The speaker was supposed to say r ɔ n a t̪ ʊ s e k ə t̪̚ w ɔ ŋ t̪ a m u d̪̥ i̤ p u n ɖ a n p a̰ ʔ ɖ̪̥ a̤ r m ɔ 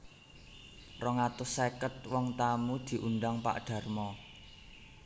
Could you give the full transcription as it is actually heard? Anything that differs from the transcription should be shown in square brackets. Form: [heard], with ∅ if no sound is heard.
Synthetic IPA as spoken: r ɔ [ŋ] a t̪ ʊ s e k ə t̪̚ w ɔ ŋ t̪ a m u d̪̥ i̤ [ʔ] u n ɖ a [ŋ] p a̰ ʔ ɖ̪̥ a̤ r m ɔ